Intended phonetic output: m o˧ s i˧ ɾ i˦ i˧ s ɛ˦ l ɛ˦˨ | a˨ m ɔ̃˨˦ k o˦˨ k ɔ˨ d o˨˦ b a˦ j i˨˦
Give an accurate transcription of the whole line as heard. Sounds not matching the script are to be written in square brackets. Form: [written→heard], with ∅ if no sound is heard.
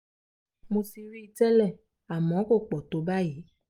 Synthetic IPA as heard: m o˧ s i˧ ɾ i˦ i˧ [s→t] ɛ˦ l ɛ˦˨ | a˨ m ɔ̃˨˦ k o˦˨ [k→k͡p] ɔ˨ [d→t] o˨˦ b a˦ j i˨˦